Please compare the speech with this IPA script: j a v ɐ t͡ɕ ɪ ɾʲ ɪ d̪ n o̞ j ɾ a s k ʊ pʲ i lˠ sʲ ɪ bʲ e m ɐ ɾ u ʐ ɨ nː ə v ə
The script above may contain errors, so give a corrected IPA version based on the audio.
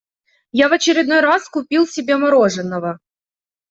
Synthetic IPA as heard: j a v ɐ t͡ɕ ɪ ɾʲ ɪ d̪ n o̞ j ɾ a s k ʊ pʲ i lˠ sʲ ɪ bʲ e m ɐ ɾ o ʐ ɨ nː ə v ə